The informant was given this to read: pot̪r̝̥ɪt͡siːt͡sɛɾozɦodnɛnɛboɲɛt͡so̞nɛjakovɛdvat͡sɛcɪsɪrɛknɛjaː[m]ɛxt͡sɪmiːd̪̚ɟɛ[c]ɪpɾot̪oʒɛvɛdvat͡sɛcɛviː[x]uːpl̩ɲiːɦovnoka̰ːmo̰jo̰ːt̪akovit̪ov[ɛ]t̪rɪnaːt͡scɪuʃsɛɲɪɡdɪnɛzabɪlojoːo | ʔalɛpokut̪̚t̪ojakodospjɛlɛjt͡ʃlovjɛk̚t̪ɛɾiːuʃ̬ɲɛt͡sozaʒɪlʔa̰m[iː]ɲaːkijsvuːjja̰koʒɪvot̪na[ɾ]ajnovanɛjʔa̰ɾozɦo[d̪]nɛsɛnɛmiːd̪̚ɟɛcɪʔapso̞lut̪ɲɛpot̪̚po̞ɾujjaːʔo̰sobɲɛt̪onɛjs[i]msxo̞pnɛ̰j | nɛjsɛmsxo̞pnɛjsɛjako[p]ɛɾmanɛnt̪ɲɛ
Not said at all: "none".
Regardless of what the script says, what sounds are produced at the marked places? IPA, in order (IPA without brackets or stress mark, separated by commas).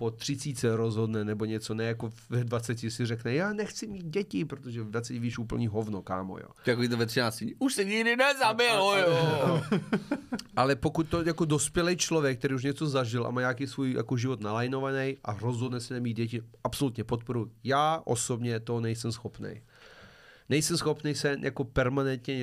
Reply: n, c, ʃ, ɛ, aː, l, d̪, ɛ, p